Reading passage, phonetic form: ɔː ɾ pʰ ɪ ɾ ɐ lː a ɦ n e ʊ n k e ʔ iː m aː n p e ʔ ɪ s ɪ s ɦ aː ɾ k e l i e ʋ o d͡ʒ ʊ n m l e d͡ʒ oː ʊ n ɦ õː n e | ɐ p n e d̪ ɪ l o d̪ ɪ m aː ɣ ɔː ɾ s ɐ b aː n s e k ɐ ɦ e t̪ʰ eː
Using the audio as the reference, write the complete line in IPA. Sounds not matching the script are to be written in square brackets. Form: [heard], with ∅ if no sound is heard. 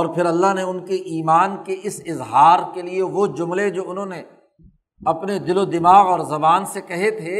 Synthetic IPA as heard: ɔː ɾ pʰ ɪ ɾ ɐ lː a ɦ n e ʊ n k e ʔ iː m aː n [k] e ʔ ɪ s ɪ [z] ɦ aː ɾ k e l i e ʋ o d͡ʒ ʊ [∅] m l e d͡ʒ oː ʊ n ɦ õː n e | ɐ p n e d̪ ɪ l o d̪ ɪ m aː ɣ ɔː ɾ [z] ɐ b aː n s e k ɐ ɦ e t̪ʰ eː